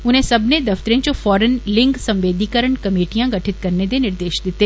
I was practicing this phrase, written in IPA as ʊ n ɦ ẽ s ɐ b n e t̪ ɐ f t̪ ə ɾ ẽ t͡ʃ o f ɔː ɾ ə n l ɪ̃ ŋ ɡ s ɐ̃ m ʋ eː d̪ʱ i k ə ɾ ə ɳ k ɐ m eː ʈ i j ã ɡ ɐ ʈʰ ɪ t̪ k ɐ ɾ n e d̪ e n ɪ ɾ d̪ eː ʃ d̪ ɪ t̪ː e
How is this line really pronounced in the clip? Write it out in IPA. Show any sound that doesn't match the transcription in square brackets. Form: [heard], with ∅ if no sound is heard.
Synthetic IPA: ʊ n ɦ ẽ s ɐ b n e [d̪] ɐ f t̪ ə ɾ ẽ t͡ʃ o f ɔː ɾ ə n l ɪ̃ ŋ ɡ s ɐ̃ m ʋ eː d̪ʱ i k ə ɾ ə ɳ k ɐ m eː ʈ i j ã ɡ ɐ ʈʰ ɪ t̪ k ɐ ɾ n e d̪ e n ɪ ɾ d̪ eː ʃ d̪ ɪ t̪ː e